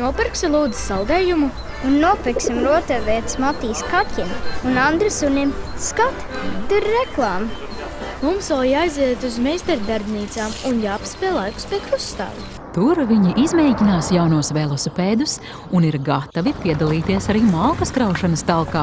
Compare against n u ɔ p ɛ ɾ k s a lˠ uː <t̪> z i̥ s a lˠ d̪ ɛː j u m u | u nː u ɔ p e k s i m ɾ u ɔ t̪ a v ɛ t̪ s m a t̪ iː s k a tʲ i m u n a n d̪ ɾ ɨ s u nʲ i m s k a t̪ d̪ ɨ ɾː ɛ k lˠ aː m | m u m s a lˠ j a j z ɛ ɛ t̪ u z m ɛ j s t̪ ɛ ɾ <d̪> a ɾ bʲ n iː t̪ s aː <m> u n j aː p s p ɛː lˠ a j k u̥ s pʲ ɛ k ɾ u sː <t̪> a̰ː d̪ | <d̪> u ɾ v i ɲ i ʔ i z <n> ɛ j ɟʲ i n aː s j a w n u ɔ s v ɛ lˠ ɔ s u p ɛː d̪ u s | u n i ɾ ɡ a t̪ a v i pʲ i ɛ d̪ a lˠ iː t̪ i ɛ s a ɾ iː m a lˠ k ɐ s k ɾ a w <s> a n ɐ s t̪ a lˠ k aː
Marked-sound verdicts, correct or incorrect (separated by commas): incorrect, correct, correct, correct, incorrect, incorrect, incorrect